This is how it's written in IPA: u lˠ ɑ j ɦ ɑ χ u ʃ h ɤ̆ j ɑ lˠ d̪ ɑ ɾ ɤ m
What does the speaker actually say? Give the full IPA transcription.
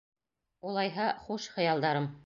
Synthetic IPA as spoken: u lˠ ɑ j ɦ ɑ χ u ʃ χ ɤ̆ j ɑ lˠ d̪ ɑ ɾ ɤ m